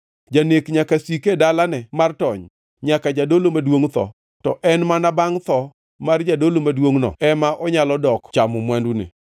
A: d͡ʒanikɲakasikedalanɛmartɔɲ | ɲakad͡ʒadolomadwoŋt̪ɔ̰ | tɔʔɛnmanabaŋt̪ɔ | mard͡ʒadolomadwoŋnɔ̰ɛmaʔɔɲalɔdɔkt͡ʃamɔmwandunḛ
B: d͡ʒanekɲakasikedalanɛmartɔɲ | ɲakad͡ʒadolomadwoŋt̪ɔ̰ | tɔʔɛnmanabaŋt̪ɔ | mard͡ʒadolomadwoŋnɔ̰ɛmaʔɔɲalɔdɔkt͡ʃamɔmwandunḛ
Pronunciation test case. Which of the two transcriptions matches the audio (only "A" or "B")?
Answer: B